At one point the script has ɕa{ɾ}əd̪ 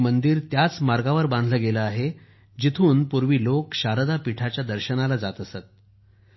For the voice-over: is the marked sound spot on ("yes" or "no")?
yes